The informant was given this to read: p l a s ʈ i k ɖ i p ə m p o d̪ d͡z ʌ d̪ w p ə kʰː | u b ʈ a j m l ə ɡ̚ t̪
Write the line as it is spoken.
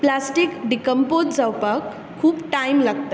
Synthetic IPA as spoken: p l a s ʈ i k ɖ i k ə m p o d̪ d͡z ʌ w p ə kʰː | u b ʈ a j m l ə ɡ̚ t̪